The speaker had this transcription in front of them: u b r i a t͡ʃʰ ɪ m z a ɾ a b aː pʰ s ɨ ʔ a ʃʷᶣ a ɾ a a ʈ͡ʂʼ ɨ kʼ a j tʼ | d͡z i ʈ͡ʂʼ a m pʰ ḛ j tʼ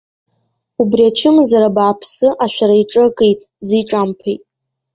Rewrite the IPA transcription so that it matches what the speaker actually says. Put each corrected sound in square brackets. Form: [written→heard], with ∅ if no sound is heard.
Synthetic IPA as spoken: u b r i a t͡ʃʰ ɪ m z a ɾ a b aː pʰ s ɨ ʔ a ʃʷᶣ a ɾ a [a→i] ʈ͡ʂʼ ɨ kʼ [a→e] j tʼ | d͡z i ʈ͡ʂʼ a m pʰ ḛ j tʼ